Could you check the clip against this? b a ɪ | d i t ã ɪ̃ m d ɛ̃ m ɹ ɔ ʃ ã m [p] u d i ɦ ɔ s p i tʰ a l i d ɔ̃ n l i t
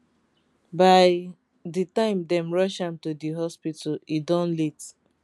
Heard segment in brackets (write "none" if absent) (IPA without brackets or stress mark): t